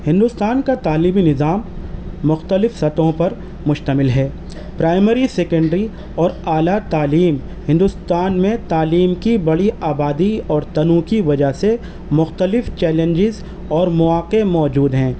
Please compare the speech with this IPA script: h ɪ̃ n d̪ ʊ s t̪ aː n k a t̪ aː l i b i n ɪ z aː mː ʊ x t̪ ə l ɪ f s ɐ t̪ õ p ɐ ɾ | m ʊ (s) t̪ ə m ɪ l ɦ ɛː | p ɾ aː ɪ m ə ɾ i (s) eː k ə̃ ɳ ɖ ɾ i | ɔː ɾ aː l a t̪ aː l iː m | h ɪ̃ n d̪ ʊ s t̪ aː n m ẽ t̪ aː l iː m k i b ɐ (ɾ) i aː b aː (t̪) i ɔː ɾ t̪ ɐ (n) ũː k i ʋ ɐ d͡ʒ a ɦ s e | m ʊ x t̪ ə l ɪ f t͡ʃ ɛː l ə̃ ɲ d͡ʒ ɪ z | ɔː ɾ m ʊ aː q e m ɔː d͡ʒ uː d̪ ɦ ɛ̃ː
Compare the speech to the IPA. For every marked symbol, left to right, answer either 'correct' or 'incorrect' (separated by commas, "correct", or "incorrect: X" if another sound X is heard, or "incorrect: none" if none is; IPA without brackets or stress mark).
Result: incorrect: ʃ, correct, incorrect: ɽ, incorrect: d̪, correct